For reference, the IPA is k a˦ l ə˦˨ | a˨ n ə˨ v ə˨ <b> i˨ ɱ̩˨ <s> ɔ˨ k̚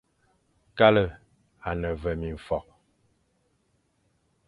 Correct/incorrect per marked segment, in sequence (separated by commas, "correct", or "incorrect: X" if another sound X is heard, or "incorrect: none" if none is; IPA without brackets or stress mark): incorrect: m, incorrect: f